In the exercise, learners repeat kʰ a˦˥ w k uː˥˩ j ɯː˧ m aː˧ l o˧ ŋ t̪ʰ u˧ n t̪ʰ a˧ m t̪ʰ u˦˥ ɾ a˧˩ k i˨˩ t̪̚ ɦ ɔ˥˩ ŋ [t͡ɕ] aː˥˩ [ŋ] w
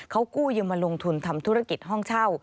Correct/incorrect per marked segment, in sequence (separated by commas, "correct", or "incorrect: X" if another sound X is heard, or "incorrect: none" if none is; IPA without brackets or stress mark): incorrect: t͡ɕʰ, incorrect: none